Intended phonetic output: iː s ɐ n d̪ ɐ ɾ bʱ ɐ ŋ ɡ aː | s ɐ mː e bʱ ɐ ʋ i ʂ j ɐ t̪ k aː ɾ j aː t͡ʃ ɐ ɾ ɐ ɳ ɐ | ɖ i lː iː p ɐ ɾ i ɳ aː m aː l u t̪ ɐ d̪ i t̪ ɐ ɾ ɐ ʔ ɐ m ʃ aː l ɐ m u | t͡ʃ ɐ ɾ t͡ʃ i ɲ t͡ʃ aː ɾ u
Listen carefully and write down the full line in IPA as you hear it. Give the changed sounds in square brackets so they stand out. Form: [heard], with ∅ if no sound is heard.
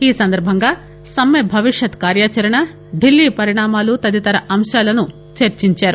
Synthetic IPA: iː s ɐ n d̪ ɐ ɾ bʱ ɐ ŋ ɡ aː | s ɐ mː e bʱ ɐ ʋ i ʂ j ɐ t̪ k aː ɾ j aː t͡ʃ ɐ ɾ ɐ ɳ ɐ | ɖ i lː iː p ɐ ɾ i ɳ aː m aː l u t̪ ɐ d̪ i t̪ ɐ ɾ ɐ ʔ ɐ m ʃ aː l ɐ [n] u | t͡ʃ ɐ ɾ t͡ʃ i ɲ t͡ʃ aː ɾ u